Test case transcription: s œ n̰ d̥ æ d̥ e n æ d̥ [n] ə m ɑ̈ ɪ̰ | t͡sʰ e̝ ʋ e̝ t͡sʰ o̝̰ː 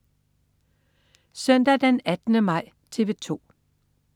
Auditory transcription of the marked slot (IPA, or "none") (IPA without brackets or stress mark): n